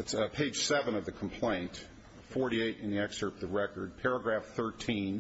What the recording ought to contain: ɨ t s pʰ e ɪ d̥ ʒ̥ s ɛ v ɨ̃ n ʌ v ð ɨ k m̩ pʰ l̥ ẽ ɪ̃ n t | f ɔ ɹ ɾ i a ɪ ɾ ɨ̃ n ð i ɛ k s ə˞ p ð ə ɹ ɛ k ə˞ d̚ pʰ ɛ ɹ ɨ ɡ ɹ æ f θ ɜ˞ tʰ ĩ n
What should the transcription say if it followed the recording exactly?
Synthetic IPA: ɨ t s pʰ e ɪ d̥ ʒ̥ s ɛ v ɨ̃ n ʌ v ð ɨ kʰ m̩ pʰ l̥ ẽ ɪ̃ n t | f ɔ ɹ ɾ i e ɪ ɾ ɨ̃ n ð i ɛ k s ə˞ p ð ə ɹ ɛ k ə˞ d̚ pʰ ɛ ɹ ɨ ɡ ɹ æ f θ ɜ˞ tʰ ĩ n